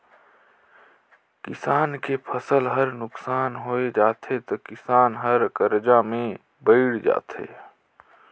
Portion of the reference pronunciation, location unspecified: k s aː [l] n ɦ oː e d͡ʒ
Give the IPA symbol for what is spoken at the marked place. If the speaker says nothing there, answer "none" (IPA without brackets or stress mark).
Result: none